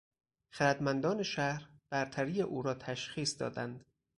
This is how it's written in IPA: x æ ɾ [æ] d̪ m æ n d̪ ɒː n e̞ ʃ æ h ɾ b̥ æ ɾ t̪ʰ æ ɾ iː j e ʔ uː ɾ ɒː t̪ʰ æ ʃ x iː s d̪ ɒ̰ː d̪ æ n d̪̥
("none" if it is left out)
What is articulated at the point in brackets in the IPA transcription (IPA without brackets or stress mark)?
æ